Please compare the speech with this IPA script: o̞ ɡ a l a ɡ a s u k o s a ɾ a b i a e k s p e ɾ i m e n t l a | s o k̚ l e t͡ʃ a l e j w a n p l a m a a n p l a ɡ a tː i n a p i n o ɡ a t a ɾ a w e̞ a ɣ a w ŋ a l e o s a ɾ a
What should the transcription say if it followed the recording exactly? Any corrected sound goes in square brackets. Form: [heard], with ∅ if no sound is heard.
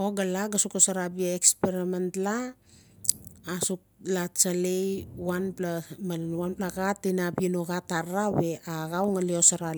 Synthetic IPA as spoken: o̞ ɡ a l a ɡ a s u k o s a ɾ a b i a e k s p e ɾ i m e n t l a | s [u] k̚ l [a] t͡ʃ a l e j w a n p l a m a a n p l a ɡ a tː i n a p i n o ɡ a t a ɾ a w e̞ a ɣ a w ŋ a l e o s a ɾ a